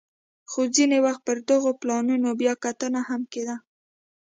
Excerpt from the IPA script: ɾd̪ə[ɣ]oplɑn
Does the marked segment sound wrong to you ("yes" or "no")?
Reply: no